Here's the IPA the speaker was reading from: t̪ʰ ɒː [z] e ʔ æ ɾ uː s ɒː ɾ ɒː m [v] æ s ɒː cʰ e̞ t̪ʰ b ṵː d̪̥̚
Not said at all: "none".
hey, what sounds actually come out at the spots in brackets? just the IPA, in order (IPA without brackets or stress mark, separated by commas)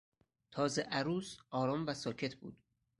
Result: z, v